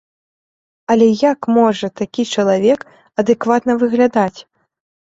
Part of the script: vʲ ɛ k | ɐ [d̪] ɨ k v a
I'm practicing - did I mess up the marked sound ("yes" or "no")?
no